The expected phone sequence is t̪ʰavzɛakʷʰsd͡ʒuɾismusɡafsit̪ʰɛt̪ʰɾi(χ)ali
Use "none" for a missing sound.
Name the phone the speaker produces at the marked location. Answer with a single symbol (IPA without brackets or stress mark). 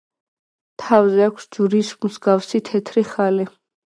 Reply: χ